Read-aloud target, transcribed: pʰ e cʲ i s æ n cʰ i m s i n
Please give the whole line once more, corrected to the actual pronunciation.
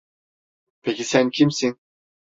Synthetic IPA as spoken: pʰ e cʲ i s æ n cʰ i m s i n